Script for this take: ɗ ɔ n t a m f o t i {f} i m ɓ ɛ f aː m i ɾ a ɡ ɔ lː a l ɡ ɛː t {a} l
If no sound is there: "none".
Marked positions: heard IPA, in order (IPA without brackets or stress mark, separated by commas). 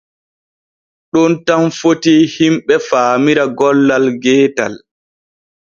h, a